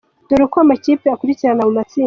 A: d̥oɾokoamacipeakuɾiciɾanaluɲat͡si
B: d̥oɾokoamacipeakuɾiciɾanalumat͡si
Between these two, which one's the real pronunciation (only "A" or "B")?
B